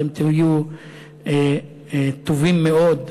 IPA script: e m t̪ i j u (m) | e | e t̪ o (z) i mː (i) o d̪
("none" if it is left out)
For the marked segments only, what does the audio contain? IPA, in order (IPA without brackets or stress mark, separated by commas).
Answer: none, v, e